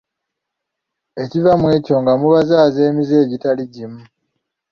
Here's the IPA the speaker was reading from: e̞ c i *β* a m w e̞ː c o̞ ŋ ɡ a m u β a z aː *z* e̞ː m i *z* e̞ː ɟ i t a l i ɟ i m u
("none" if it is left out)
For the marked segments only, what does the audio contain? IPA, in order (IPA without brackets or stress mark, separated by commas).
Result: v, z, z